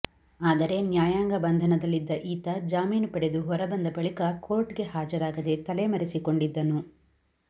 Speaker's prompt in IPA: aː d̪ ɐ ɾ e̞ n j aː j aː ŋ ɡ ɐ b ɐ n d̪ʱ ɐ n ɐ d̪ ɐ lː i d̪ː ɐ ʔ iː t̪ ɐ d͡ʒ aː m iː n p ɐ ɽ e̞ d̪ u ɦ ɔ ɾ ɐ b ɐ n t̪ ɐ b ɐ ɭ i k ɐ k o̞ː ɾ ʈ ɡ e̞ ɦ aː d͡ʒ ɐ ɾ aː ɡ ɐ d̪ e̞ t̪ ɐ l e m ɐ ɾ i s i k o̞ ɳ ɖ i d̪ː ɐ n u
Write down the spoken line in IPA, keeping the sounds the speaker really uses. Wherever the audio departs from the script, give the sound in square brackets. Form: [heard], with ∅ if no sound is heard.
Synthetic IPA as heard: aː d̪ ɐ ɾ e̞ n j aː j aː ŋ ɡ ɐ b ɐ n d̪ʱ ɐ n ɐ d̪ ɐ lː i d̪ː ɐ ʔ iː t̪ ɐ d͡ʒ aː m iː n p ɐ ɽ e̞ d̪ u ɦ ɔ ɾ ɐ b ɐ n [d̪] ɐ b ɐ ɭ i k ɐ k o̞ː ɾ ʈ ɡ e̞ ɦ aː d͡ʒ ɐ ɾ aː ɡ ɐ d̪ e̞ t̪ ɐ l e m ɐ ɾ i s i k o̞ ɳ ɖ i d̪ː ɐ n u